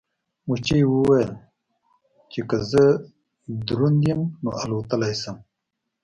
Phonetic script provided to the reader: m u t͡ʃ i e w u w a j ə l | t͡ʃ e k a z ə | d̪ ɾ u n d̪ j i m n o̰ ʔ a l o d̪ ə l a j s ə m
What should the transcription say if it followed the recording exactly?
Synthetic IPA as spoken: m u t͡ʃ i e w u w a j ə l | t͡ʃ e k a z ə | d̪ ɾ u n d̪ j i m n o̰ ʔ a l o t̪ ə l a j s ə m